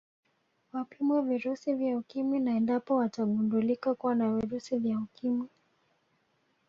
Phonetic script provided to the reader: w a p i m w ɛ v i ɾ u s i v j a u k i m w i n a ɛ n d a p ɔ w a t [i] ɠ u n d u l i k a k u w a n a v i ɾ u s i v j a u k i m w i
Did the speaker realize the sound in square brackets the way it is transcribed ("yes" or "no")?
no